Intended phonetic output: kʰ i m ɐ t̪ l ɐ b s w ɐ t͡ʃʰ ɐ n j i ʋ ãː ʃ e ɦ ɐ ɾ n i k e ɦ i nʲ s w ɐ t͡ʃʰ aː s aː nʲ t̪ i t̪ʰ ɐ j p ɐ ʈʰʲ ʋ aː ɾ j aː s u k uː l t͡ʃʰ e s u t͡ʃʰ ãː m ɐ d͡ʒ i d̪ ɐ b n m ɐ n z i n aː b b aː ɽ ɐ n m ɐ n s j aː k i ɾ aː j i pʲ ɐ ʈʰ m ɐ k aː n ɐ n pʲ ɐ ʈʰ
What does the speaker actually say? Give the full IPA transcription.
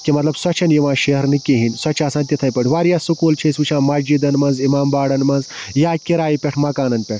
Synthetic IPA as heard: k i m ɐ t̪ l ɐ b s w ɐ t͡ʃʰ ɐ n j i ʋ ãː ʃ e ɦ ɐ ɾ n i k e ɦ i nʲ s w ɐ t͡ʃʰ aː s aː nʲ t̪ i t̪ʰ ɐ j p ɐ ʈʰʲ ʋ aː ɾ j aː s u k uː l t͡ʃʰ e s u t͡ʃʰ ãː m ɐ d͡ʒ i d̪ ɐ n m ɐ n z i m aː m b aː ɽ ɐ n m ɐ n z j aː k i ɾ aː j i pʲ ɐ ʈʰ m ɐ k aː n ɐ n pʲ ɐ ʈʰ